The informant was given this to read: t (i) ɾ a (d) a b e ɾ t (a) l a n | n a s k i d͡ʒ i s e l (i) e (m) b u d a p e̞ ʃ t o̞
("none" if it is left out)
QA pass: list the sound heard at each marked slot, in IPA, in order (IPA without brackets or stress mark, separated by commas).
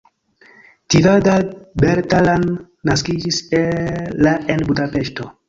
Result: i, d, a, a, n